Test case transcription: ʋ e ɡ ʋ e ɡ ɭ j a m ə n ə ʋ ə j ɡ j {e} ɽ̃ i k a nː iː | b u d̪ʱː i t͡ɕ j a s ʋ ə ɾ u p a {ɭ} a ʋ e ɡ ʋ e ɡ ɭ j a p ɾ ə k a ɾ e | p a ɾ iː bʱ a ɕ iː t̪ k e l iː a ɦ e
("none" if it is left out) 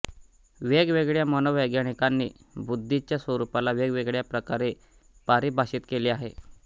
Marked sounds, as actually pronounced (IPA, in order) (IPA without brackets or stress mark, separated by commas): a, l